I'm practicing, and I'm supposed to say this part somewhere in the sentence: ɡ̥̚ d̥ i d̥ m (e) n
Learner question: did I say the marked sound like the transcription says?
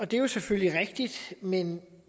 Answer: yes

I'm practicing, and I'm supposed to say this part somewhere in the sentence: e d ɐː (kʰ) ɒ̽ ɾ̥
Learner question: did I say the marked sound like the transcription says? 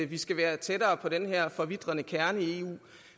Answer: no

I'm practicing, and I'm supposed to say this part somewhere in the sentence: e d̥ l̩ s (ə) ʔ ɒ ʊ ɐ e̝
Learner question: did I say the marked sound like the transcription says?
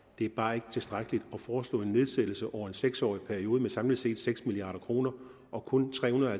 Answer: yes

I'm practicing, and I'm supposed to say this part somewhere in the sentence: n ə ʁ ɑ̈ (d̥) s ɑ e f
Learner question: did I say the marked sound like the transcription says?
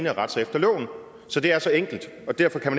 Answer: yes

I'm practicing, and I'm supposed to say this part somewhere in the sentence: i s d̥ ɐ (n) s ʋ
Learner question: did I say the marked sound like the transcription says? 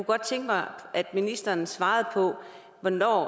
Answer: yes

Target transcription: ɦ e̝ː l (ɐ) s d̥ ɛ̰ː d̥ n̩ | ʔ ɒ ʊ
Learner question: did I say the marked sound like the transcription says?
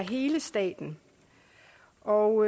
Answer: no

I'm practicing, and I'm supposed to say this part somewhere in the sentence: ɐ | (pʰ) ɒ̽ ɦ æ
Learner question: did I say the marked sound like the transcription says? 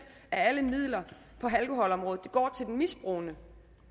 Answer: yes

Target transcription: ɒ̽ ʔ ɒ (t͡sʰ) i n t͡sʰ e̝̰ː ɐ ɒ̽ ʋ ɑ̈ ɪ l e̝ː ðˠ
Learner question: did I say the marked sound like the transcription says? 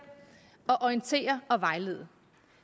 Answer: no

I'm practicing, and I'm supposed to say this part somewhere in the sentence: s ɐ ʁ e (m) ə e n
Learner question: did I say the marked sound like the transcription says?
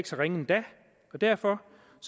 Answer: no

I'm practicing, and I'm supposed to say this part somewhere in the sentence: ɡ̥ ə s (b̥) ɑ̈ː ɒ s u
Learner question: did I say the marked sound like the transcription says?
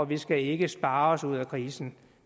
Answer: yes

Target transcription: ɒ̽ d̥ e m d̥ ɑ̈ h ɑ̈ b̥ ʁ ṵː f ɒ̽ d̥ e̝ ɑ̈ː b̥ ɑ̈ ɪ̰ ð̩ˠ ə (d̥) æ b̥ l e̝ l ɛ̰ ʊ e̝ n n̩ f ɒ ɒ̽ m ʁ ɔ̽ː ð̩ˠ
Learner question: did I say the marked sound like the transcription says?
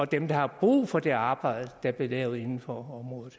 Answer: yes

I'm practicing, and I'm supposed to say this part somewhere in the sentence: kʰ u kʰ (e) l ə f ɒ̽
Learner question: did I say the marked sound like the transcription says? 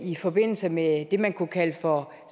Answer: no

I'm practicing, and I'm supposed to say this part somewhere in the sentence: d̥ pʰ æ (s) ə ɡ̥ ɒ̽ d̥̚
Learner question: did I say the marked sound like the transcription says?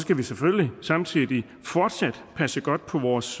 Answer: yes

